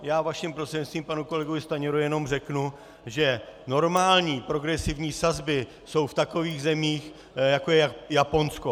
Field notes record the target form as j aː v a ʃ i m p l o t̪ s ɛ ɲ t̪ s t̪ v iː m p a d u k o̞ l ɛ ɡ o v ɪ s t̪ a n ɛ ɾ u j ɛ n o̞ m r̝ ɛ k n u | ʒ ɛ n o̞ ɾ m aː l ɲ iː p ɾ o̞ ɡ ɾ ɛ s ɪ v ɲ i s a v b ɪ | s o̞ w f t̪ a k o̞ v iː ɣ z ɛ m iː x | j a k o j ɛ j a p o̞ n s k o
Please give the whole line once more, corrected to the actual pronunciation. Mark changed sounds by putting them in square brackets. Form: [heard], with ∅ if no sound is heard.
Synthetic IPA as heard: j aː v a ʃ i m p [ɾ] o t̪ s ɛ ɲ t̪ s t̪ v iː m p a [n] u k o̞ l ɛ ɡ o v ɪ s t̪ a [ɲ] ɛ ɾ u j ɛ n o̞ m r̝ ɛ k n u | ʒ ɛ n o̞ ɾ m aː l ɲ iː p ɾ o̞ ɡ ɾ ɛ s ɪ v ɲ [iː] s a [z] b ɪ | s o̞ w f t̪ a k o̞ v iː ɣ z ɛ m iː x | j a k o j ɛ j a p o̞ n s k o